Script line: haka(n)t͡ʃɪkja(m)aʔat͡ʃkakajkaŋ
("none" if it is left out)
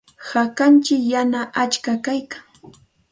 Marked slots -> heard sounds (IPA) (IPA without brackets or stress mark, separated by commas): n, n